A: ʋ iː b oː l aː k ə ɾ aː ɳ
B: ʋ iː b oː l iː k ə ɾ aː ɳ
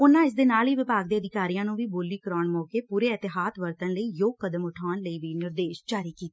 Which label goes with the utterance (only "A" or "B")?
B